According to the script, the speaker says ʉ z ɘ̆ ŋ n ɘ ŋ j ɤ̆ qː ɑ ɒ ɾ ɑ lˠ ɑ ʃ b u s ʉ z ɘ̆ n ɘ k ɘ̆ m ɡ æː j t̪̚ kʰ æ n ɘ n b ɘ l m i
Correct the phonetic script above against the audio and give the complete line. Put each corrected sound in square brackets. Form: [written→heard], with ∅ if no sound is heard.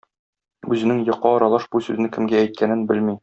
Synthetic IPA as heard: ʉ z ɘ̆ [ŋ→∅] n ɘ ŋ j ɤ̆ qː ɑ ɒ ɾ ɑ lˠ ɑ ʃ b u s ʉ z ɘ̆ n ɘ k ɘ̆ m ɡ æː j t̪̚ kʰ æ n ɘ n b ɘ l m i

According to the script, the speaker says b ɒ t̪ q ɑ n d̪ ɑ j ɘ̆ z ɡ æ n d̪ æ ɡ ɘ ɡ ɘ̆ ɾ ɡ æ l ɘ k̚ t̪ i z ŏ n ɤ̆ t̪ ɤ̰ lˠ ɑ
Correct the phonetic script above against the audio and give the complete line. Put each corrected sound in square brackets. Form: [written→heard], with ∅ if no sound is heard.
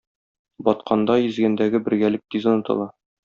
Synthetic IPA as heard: b ɒ t̪ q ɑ n d̪ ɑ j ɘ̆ z ɡ æ n d̪ æ ɡ ɘ [ɡ→b] ɘ̆ ɾ ɡ æ l ɘ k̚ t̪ i z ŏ n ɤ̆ t̪ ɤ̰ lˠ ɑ

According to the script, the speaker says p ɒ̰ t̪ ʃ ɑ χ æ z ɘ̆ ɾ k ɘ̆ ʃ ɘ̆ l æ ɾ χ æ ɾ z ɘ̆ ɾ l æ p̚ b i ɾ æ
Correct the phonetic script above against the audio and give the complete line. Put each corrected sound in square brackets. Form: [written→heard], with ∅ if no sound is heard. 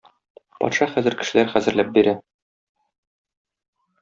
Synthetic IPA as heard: p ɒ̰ t̪ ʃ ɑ χ æ z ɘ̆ ɾ k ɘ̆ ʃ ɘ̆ l æ ɾ χ æ [ɾ→∅] z ɘ̆ ɾ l æ p̚ b i ɾ æ

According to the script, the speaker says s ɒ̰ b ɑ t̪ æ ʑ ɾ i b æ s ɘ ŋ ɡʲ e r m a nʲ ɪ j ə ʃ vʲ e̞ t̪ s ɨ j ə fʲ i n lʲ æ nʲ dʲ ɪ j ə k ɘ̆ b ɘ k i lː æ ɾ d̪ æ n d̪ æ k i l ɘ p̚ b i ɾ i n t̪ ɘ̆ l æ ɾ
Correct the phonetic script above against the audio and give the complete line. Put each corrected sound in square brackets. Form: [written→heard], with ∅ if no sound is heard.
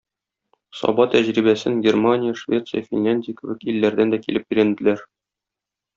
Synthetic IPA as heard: s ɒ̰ b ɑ t̪ æ ʑ ɾ i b æ s ɘ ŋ ɡʲ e r m a nʲ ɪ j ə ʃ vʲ e̞ t̪ s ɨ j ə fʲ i n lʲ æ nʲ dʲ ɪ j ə k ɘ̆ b ɘ k i lː æ ɾ d̪ æ n d̪ æ k i l ɘ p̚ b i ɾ [i→æ] n [t̪→d̪] ɘ̆ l æ ɾ

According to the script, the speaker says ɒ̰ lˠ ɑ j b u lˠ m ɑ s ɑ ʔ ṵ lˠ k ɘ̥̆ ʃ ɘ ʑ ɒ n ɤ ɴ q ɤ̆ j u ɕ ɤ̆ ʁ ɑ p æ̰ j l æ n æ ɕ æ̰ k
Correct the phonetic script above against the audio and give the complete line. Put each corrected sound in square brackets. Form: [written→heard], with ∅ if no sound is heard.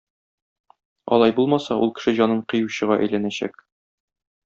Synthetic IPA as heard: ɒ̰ lˠ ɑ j b u lˠ m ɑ s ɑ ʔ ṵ lˠ k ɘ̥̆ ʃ ɘ ʑ ɒ n ɤ ɴ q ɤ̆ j u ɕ ɤ̆ ʁ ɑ [p→ʔ] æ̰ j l æ n æ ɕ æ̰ k

